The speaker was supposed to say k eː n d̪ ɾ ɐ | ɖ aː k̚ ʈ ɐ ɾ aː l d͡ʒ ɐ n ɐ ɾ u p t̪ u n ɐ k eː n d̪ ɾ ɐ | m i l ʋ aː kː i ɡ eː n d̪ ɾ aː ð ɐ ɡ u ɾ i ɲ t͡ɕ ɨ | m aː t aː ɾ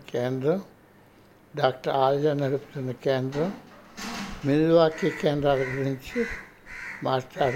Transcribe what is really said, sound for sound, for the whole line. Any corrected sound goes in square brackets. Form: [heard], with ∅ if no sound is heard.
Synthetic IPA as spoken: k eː n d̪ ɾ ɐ | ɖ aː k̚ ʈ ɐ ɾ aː l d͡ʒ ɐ n ɐ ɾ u p t̪ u n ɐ k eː n d̪ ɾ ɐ | m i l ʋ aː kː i [k] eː n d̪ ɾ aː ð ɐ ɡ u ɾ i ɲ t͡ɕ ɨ | m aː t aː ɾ